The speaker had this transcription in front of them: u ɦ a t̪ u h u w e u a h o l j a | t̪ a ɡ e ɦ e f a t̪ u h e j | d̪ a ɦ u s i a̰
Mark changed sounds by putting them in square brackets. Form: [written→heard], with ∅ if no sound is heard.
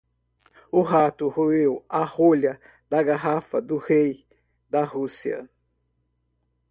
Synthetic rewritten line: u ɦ a t̪ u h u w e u a h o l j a | [t̪→d̪] a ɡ [e→a] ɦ [e→a] f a [t̪→d̪] u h e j | d̪ a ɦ u s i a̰